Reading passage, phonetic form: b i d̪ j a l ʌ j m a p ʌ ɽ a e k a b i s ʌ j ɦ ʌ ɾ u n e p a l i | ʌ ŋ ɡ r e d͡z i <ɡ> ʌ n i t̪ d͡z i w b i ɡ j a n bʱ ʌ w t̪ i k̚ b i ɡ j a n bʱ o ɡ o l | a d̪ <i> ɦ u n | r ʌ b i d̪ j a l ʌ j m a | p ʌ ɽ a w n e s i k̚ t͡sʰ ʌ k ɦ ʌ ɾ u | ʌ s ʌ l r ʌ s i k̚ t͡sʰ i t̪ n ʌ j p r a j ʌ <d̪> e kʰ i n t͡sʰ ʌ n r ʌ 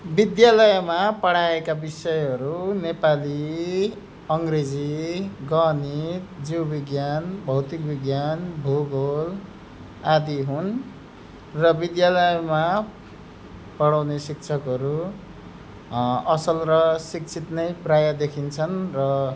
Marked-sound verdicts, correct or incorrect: correct, correct, correct

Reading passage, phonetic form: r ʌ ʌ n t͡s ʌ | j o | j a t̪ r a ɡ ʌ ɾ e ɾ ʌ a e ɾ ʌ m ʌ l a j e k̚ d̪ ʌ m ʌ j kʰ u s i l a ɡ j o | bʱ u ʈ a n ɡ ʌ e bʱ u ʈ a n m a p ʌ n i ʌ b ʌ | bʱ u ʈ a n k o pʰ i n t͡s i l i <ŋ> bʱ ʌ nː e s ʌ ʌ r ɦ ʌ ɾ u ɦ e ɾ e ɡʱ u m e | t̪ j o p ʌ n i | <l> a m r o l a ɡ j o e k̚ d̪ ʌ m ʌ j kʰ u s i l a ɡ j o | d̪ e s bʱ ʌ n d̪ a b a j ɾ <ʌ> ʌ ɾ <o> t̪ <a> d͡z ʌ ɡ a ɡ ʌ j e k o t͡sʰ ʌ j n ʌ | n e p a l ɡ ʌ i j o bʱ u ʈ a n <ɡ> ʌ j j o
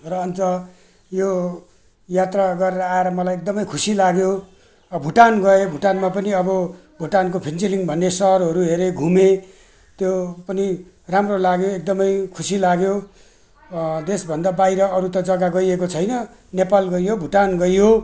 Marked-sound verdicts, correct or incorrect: correct, incorrect: r, correct, incorrect: u, incorrect: ʌ, correct

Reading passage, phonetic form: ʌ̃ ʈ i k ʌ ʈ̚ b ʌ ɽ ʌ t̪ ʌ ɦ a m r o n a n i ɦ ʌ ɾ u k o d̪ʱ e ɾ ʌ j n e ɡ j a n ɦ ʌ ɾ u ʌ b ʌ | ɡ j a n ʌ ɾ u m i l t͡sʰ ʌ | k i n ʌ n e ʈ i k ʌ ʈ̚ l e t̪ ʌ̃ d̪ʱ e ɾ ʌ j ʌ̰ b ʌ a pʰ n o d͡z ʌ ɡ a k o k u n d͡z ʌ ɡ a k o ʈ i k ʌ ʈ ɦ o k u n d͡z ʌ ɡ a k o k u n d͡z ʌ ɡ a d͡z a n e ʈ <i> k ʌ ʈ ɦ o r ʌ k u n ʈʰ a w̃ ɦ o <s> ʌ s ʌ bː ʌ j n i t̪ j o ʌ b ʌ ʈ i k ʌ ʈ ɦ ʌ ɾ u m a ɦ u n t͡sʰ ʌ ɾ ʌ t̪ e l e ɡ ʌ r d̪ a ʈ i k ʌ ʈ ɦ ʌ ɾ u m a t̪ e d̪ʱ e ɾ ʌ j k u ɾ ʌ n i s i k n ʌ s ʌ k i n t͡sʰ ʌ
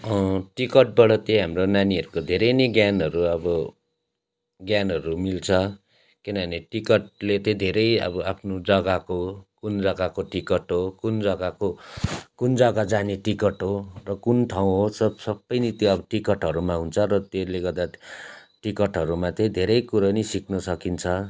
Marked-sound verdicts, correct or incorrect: correct, correct

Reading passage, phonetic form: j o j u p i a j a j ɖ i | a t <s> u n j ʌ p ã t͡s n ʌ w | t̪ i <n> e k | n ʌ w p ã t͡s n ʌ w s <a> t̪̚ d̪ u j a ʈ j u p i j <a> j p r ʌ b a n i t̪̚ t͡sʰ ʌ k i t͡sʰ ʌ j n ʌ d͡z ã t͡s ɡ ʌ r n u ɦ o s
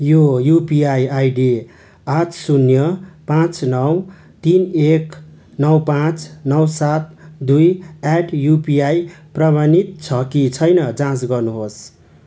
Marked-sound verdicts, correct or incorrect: correct, correct, correct, correct

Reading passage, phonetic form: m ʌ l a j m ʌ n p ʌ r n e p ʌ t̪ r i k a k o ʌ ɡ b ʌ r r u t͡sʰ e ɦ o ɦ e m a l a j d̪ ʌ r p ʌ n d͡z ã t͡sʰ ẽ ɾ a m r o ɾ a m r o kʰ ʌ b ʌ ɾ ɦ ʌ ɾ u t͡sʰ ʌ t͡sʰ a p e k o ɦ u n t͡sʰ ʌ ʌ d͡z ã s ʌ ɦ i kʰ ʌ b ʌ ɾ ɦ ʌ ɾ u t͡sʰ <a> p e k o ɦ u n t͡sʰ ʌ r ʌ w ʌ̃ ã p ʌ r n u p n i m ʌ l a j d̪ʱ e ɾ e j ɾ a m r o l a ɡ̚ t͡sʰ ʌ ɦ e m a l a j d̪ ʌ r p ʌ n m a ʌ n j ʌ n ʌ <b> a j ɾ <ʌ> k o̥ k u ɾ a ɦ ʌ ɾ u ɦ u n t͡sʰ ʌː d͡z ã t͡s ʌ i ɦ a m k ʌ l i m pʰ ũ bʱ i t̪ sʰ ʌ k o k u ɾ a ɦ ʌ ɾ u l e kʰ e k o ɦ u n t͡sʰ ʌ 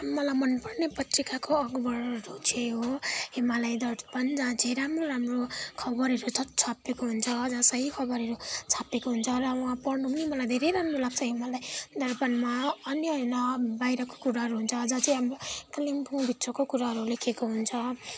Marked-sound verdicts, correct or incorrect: correct, correct, correct

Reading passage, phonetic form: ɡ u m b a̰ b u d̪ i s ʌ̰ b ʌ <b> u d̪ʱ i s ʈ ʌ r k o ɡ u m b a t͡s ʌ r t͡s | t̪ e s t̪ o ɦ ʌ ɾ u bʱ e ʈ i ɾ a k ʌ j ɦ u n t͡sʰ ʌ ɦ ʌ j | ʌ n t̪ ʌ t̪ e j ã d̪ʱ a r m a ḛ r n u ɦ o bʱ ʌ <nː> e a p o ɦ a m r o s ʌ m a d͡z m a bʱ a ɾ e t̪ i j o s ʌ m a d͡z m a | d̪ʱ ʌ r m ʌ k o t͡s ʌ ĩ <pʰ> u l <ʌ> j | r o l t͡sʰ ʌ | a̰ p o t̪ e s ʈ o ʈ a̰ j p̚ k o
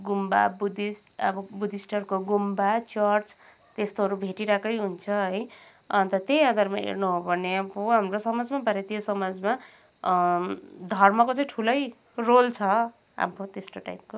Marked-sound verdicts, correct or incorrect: correct, incorrect: n, incorrect: ʈʰ, correct

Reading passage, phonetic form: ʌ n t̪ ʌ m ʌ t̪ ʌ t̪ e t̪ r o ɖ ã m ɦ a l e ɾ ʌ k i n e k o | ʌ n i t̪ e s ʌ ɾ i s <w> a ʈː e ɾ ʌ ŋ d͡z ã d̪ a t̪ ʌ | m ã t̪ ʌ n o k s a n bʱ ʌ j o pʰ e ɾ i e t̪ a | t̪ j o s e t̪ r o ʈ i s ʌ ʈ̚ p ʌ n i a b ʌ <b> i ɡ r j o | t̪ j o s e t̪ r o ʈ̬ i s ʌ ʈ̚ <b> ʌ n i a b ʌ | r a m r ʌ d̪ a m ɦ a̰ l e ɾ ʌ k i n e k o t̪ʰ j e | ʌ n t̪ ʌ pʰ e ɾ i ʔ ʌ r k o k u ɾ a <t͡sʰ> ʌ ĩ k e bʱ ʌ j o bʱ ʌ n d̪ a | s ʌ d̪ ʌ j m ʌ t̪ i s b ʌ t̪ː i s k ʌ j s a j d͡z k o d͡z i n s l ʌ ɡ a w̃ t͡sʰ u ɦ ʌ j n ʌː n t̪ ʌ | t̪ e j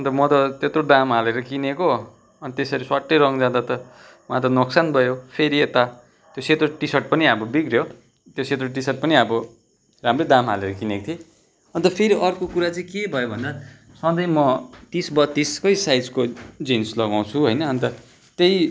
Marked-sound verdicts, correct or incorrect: correct, correct, incorrect: p, incorrect: t͡s

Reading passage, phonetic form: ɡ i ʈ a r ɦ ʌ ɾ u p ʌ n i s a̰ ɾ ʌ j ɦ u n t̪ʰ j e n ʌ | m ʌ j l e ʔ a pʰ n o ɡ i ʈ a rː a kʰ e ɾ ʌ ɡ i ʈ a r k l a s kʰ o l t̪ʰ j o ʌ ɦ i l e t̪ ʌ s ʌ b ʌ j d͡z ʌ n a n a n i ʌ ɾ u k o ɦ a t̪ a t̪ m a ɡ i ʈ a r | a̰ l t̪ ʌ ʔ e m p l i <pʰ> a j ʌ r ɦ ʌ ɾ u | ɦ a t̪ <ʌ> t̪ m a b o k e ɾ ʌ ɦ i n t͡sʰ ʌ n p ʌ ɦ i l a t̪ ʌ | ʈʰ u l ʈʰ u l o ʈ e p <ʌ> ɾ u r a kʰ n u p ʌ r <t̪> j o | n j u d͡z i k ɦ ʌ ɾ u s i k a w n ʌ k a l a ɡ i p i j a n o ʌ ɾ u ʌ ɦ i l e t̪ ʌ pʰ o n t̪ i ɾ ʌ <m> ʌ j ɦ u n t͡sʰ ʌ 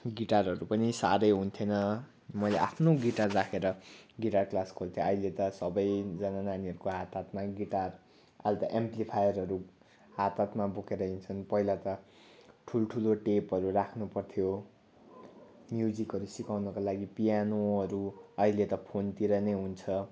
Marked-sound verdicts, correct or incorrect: correct, incorrect: a, correct, incorrect: t̪ʰ, incorrect: n

